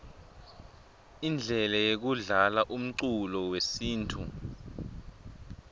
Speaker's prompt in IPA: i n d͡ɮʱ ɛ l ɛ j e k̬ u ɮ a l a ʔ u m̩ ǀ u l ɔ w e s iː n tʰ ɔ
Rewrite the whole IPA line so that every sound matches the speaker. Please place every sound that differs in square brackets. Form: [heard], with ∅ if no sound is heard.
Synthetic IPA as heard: i n d͡ɮʱ ɛ l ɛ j e k̬ u ɮ a l a ʔ u m̩ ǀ u l ɔ w e s iː n tʰ [u]